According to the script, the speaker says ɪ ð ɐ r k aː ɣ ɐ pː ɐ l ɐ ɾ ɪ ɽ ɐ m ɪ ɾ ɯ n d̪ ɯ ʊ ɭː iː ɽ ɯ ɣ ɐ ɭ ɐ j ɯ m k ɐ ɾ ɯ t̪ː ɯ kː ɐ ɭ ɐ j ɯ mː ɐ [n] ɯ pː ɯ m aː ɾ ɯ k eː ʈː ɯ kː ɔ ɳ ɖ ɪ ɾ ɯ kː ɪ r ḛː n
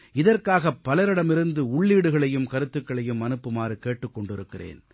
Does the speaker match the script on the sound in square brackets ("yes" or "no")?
yes